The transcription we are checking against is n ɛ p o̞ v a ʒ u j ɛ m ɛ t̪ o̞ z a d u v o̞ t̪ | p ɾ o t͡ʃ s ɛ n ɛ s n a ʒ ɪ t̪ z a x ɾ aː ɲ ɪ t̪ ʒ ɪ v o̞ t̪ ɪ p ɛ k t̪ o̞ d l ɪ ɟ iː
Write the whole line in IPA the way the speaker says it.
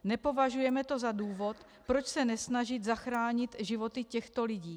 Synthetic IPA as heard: n ɛ p o̞ v a ʒ u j ɛ m ɛ t̪ o̞ z a d uː v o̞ t̪ | p ɾ o t͡ʃ s ɛ n ɛ s n a ʒ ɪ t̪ z a x ɾ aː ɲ ɪ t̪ ʒ ɪ v o̞ t̪ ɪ c ɛ x t̪ o̞ l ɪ ɟ iː